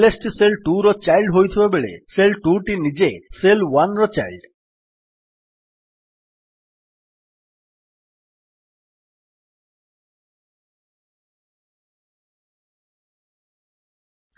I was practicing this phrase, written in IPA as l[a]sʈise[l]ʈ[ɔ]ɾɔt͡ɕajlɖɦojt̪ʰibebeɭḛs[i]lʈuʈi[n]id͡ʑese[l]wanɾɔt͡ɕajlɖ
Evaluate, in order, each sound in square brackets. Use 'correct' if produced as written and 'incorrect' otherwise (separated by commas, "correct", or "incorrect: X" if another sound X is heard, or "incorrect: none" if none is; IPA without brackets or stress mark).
incorrect: e, correct, incorrect: u, incorrect: e, correct, correct